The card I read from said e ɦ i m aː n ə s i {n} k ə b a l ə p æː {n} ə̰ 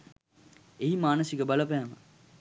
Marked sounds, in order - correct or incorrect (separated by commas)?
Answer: incorrect, incorrect